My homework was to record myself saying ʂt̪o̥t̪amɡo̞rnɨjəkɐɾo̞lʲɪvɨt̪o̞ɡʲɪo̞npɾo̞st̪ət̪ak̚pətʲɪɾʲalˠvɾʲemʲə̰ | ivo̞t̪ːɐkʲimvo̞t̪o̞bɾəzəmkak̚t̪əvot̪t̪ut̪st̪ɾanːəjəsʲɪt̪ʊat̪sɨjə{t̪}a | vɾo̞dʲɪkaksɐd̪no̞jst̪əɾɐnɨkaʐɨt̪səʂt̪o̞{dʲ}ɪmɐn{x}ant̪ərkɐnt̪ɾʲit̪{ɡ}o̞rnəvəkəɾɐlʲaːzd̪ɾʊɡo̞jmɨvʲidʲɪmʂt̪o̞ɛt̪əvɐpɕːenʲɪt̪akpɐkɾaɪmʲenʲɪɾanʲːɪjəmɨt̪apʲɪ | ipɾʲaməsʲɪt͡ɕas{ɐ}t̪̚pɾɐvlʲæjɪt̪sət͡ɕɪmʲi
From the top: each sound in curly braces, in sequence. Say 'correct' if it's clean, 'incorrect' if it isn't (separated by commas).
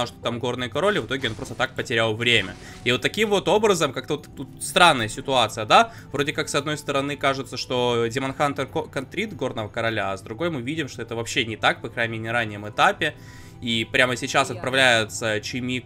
incorrect, correct, correct, correct, correct